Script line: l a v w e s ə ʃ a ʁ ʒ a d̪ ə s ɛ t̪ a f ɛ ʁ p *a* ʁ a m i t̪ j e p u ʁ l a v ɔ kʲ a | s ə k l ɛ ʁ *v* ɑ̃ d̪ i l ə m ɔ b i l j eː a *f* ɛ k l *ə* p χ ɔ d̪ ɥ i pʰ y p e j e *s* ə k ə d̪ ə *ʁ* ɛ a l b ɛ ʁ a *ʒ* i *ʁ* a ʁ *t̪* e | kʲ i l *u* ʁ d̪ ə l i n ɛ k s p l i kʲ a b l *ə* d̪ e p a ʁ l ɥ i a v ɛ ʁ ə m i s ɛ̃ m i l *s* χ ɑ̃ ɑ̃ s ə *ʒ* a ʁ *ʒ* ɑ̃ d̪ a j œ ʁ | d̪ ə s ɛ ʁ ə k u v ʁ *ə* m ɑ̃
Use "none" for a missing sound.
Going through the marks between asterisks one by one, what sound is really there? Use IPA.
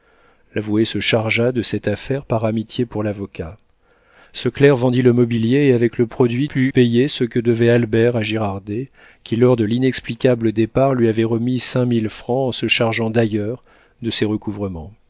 a, v, v, ə, s, v, ʒ, ʁ, d̪, ɔ, ə, f, ʃ, ʒ, ə

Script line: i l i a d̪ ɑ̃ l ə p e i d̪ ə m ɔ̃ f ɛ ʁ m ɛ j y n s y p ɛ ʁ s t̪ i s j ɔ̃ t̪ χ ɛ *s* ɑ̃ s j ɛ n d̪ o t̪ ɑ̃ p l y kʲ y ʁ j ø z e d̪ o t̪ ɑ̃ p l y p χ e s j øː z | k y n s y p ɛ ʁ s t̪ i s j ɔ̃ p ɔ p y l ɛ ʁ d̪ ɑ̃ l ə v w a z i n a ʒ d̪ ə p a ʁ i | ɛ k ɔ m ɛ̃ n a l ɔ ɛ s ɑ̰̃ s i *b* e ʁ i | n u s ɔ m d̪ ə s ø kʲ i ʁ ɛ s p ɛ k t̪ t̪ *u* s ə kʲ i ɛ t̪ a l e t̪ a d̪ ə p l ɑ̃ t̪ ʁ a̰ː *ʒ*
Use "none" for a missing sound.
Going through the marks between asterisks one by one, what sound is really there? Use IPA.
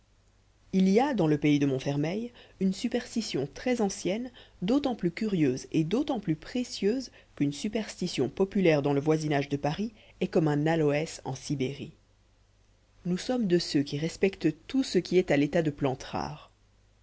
z, b, u, ʁ

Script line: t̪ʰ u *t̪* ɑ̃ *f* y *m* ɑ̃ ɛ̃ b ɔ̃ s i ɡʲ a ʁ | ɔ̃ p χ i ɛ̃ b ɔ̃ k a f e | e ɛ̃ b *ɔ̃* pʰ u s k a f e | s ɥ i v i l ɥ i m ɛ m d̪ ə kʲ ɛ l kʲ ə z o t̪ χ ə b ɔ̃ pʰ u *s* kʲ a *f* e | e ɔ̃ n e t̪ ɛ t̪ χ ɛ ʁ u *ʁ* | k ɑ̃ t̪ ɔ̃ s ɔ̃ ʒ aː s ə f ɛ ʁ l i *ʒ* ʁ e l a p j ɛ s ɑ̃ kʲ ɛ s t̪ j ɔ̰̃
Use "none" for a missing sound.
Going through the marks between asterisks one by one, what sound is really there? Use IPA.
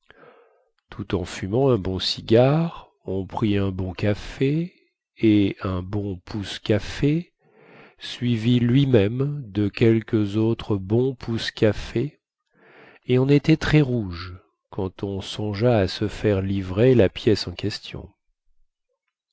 t̪, f, m, ɔ̃, s, f, ʒ, v

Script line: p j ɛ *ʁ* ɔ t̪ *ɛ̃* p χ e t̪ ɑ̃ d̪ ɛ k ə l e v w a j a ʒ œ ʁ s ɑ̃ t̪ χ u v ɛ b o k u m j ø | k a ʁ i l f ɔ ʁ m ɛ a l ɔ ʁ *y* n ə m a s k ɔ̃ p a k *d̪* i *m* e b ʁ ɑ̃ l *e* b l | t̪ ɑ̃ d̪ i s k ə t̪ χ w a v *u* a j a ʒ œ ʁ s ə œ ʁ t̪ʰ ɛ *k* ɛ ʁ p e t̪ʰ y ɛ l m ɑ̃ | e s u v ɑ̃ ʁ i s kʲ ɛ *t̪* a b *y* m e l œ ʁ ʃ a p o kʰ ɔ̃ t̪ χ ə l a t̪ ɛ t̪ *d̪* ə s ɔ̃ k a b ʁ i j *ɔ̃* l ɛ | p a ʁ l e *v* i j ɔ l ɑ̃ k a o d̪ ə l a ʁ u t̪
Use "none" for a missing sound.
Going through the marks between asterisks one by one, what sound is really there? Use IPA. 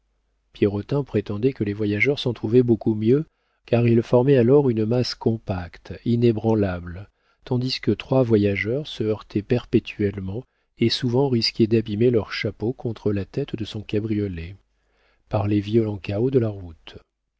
ʁ, ɛ̃, y, t̪, n, a, w, p, d̪, i, d̪, ɔ, v

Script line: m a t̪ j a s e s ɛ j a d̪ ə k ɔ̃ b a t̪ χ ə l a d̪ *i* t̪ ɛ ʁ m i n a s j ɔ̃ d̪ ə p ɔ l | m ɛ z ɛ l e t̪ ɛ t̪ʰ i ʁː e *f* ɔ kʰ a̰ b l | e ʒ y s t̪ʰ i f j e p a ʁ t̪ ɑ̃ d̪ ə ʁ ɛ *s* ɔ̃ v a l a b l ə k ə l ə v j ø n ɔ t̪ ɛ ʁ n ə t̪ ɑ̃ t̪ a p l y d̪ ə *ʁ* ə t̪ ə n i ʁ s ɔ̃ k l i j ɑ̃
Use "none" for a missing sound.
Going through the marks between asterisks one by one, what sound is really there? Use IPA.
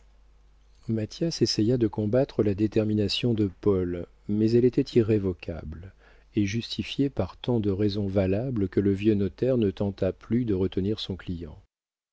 e, v, z, ʁ

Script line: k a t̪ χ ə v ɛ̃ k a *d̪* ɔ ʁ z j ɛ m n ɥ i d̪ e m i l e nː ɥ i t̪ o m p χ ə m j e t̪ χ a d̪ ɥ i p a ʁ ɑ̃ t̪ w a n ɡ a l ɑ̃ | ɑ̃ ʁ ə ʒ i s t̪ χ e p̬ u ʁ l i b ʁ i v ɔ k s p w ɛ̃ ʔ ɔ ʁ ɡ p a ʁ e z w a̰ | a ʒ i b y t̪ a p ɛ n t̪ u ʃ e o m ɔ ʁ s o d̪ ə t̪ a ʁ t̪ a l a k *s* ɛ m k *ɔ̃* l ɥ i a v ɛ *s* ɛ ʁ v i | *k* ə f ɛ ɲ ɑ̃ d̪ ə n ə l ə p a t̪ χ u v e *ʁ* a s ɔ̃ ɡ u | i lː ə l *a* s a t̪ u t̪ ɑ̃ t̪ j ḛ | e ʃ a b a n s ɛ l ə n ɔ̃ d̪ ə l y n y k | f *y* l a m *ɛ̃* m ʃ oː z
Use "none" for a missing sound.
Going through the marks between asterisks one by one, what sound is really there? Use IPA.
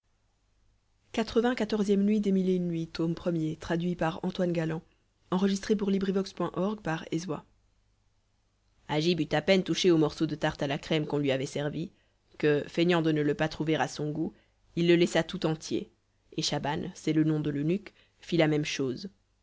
t̪, χ, ɔ̃, s, k, ʁ, ɛ, i, ɛ

